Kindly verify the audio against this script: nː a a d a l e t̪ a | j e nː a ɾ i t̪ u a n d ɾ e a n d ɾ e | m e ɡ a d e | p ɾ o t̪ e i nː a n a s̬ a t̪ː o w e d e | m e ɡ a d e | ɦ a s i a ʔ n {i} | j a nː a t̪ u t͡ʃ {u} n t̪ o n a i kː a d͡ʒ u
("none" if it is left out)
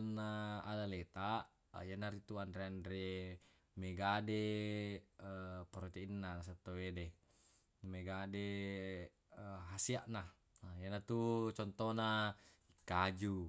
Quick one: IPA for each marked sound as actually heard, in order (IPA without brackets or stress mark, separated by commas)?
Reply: a, ɔ